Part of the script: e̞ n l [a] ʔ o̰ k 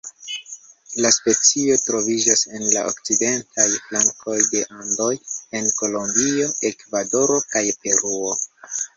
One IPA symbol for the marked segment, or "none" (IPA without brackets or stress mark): a